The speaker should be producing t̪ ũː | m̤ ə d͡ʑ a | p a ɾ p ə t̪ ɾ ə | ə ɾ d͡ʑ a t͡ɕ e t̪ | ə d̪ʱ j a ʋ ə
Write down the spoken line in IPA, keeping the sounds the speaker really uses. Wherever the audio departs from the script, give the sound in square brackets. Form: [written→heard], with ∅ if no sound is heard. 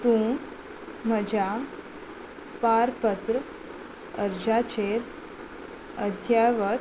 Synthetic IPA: t̪ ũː | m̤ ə d͡ʑ a | p a ɾ p ə t̪ ɾ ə | ə ɾ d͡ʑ a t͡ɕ e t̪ | ə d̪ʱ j a ʋ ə